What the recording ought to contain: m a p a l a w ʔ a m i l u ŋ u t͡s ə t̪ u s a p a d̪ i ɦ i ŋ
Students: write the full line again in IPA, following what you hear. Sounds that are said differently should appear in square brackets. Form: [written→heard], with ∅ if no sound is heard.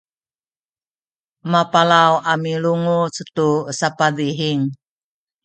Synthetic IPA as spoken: m a p a l a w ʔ a m i l u ŋ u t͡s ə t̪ u s a p a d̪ i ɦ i ŋ

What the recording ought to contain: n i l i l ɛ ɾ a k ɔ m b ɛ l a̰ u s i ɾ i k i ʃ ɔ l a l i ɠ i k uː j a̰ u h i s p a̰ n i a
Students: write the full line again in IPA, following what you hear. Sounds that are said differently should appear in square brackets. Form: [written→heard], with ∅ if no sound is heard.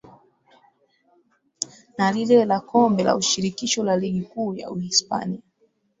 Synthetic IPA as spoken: n [i→a] l i l ɛ [ɾ→l] a k ɔ m b ɛ l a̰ u [s→ʃ] i ɾ i k i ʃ ɔ l a l i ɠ i k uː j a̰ u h i s p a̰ n i a

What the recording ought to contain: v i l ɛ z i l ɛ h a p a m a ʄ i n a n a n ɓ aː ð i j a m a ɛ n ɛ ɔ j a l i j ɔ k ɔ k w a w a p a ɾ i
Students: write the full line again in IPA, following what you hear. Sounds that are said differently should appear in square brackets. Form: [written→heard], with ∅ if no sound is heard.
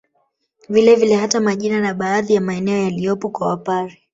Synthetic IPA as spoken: v i l ɛ [z→v] i l ɛ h a [p→t] a m a ʄ i n a n a [n→∅] ɓ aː ð i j a m a ɛ n ɛ ɔ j a l i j ɔ [k→p] ɔ k w a w a p a ɾ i

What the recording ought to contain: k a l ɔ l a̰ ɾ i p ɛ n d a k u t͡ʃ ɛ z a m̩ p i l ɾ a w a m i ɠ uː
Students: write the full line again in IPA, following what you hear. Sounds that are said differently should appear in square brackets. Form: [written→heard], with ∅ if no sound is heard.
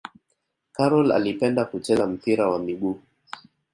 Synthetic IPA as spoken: k a [l→ɾ] ɔ l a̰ [ɾ→l] i p ɛ n d a k u t͡ʃ ɛ z a m̩ p i [l→∅] ɾ a w a m i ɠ uː

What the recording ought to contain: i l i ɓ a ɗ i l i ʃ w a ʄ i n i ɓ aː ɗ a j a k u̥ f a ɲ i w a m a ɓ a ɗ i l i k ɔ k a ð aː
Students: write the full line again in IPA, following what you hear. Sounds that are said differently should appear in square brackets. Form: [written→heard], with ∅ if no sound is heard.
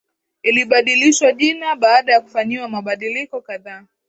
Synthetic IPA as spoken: i l i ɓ a ɗ i l i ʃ w a ʄ i n [i→a] ɓ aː ɗ a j a k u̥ f a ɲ i w a m a ɓ a ɗ i l i k ɔ k a ð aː

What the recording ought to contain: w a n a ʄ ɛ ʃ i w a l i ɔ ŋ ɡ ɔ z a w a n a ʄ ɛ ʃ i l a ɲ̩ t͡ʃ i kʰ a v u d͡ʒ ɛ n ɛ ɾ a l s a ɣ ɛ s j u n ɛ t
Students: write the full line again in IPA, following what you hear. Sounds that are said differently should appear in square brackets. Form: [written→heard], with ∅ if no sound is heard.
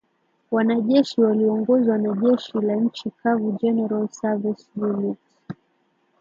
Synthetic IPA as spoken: w a n a ʄ ɛ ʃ i w a l i ɔ ŋ ɡ ɔ z a w a n a ʄ ɛ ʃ i l a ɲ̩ t͡ʃ i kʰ a v u d͡ʒ ɛ n ɛ ɾ a l s a [ɣ→v] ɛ s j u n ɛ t

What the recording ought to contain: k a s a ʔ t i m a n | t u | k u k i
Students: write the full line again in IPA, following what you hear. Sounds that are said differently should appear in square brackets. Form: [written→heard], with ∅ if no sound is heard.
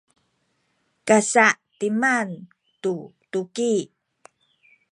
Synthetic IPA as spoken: k a s a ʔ t i m a n | t u | [k→t] u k i

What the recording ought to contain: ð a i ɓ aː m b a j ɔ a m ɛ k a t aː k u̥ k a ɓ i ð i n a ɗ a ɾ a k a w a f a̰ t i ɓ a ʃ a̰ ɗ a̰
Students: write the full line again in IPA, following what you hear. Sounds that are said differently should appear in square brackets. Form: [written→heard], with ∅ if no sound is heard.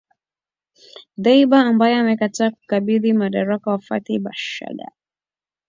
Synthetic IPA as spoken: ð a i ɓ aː m b a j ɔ a m ɛ k a t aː k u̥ k a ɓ i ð i [n→m] a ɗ a ɾ a k a w a f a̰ t i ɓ a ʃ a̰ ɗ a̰

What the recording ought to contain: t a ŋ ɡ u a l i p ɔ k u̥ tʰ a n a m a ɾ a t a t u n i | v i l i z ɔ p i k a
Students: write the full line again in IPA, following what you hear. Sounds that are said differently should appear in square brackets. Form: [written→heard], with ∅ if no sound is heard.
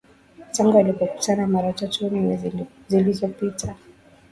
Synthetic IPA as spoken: t a ŋ ɡ u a l i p ɔ k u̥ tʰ a n a m a ɾ a t a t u n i | [v→z] i l i z ɔ p i [k→t] a

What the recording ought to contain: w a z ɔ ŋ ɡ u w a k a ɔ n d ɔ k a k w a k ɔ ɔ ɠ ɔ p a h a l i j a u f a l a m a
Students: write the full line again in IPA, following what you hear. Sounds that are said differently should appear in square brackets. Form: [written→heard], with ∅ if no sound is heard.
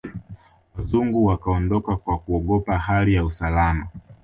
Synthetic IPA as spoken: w a z [ɔ→u] ŋ ɡ u w a k a ɔ n d ɔ k a k w a k [ɔ→u] ɔ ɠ ɔ p a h a l i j a u [f→s] a l a m a

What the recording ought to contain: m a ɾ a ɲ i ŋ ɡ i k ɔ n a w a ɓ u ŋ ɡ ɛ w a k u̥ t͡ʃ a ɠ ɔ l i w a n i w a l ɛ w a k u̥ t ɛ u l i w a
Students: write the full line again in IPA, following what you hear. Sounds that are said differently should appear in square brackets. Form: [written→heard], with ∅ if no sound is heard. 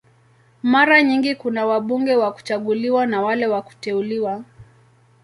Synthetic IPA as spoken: m a ɾ a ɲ i ŋ ɡ i k [ɔ→u] n a w a ɓ u ŋ ɡ ɛ w a k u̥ t͡ʃ a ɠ [ɔ→u] l i w a n [i→a] w a l ɛ w a k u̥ t ɛ u l i w a

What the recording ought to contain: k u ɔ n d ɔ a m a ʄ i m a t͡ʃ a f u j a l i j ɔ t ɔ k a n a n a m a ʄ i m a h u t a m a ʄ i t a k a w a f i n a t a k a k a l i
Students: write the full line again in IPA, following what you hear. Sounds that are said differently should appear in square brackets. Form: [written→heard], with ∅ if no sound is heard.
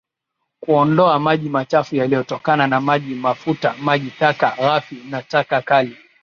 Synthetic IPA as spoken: k u ɔ n d ɔ a m a ʄ i m a t͡ʃ a f u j a l i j ɔ t ɔ k a n a n a m a ʄ i m a [h→f] u t a m a ʄ i t a k a [w→ɣ] a f i n a t a k a k a l i

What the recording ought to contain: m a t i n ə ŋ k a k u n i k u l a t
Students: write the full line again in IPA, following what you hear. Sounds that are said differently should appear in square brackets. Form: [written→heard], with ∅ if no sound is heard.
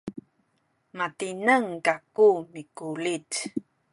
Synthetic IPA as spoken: m a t i n ə ŋ k a k u [n→m] i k u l [a→i] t

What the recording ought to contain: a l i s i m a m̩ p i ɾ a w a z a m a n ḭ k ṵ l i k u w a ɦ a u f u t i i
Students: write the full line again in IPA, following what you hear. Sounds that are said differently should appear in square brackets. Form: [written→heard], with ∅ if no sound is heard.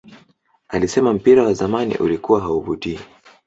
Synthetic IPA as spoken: a l i s [i→ɛ] m a m̩ p i ɾ a w a z a m a n ḭ [k→ʔ] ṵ l i k u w a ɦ a u [f→v] u t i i

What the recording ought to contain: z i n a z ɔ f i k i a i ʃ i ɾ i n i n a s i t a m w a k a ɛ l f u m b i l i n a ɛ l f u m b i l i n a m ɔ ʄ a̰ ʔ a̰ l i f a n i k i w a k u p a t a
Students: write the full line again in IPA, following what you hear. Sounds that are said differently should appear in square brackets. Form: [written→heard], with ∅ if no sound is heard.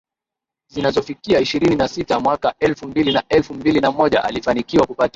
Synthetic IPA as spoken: z i n a z ɔ f i k i a i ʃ i ɾ i n i n a s i t a m w a k a ɛ l f u m b i l i n a ɛ l f u m b i l i n a m ɔ ʄ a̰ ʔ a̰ l i f a n i k i w a k u p a t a

